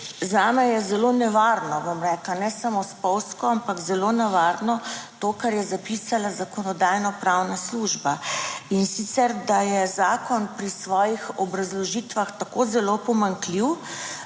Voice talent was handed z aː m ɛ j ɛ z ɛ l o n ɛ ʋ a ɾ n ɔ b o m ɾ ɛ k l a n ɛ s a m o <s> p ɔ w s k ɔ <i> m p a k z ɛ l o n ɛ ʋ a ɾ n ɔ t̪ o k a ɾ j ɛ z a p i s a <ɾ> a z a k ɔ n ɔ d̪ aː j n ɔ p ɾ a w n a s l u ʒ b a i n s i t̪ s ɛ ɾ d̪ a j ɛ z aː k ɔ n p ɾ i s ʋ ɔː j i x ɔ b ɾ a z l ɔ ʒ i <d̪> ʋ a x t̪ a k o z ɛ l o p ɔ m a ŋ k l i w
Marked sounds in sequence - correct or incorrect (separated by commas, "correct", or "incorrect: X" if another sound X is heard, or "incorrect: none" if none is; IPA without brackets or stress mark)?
correct, incorrect: a, incorrect: l, incorrect: t̪